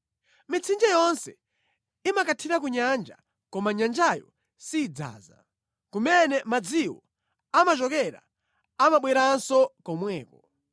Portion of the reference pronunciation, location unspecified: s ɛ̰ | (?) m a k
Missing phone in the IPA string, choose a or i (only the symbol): i